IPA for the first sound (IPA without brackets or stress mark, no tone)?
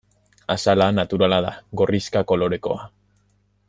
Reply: a